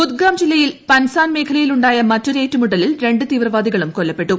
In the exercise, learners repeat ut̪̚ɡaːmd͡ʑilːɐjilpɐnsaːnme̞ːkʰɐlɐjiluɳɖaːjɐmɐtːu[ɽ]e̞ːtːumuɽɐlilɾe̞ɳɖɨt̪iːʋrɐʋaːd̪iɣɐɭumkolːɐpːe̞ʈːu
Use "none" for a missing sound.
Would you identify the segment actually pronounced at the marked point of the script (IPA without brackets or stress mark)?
ɾ